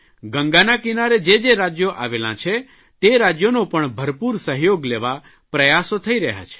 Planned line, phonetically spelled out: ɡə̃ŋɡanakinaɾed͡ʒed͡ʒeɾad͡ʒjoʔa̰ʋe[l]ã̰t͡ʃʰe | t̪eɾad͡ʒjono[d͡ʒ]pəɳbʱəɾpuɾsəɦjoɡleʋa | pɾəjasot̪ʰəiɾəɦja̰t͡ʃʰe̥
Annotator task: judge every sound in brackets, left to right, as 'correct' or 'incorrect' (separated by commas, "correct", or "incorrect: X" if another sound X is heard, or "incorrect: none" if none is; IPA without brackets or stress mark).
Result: correct, incorrect: none